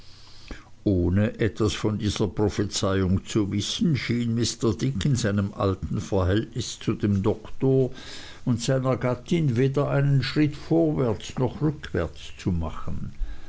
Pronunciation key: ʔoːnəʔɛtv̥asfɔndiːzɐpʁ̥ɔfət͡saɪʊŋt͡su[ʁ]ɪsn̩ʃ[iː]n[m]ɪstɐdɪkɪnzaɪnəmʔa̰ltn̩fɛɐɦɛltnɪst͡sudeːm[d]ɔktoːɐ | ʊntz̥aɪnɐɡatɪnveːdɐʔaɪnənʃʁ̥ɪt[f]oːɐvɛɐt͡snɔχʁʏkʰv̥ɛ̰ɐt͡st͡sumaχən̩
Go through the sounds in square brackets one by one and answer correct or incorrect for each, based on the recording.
incorrect, correct, correct, correct, correct

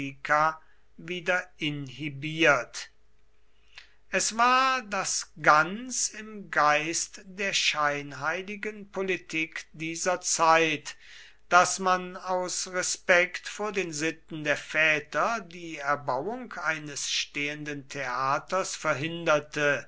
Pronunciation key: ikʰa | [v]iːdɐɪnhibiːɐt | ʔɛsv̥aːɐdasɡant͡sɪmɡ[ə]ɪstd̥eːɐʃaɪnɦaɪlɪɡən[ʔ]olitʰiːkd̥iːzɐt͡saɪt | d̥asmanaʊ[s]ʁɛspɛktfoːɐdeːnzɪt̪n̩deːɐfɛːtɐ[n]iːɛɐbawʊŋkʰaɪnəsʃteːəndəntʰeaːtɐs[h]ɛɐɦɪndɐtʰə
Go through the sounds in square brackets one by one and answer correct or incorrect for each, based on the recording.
correct, incorrect, incorrect, correct, incorrect, incorrect

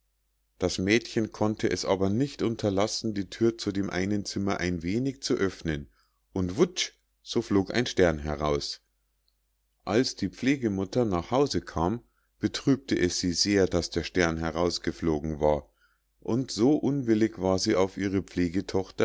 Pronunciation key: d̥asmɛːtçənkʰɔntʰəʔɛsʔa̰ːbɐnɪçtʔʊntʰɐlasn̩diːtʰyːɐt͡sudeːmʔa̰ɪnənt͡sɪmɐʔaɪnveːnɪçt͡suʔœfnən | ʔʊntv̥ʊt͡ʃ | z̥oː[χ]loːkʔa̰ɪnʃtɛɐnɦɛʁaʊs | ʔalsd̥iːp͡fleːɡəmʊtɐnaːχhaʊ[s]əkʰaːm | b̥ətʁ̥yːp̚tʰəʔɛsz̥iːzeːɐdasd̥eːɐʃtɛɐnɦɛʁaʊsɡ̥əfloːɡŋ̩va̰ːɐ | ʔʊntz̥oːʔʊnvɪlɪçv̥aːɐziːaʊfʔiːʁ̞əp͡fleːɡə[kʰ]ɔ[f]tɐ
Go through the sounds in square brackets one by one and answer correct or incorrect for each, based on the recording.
incorrect, incorrect, incorrect, incorrect

